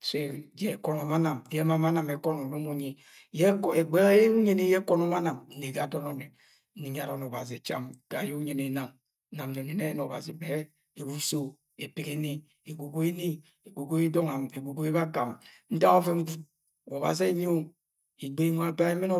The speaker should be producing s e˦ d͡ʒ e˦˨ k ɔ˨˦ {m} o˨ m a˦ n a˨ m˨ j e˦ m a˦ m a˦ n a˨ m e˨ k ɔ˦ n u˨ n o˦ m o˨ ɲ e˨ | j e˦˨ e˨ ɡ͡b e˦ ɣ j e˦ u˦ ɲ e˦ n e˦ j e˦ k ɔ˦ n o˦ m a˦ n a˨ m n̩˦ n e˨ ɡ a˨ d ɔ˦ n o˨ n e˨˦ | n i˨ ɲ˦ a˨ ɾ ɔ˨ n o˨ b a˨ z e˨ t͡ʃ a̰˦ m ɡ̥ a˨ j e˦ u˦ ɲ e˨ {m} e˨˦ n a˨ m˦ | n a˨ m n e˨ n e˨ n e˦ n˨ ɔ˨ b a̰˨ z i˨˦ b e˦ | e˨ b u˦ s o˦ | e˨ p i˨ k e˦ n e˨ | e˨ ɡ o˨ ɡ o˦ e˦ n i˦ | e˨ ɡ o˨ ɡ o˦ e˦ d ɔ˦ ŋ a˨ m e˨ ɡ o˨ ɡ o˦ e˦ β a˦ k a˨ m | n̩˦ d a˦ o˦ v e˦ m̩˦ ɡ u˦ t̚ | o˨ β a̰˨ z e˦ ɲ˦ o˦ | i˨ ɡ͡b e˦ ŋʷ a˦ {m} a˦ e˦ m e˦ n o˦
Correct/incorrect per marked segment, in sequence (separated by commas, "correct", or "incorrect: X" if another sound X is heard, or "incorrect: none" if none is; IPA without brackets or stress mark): incorrect: n, incorrect: n, incorrect: b